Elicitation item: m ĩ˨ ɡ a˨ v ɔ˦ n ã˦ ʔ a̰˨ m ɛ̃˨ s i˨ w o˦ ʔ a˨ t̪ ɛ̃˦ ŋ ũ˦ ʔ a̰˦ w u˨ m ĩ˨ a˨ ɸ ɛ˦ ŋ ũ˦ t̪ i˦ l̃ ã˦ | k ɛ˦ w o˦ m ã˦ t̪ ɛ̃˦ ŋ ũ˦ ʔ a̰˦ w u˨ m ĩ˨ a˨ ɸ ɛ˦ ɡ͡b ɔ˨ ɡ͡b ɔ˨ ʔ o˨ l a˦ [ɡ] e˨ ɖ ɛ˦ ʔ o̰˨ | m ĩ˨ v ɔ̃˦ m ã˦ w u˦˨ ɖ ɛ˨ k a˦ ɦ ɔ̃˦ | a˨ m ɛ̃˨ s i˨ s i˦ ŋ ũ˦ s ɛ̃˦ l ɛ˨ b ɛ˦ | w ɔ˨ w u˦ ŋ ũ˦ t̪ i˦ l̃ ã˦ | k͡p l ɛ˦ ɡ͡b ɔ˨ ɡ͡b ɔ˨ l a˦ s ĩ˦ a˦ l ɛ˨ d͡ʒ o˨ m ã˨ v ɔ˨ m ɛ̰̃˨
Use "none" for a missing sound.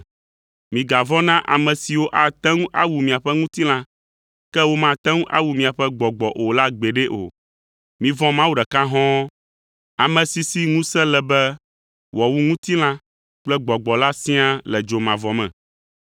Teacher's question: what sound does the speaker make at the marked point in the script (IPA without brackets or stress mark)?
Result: ɡ͡b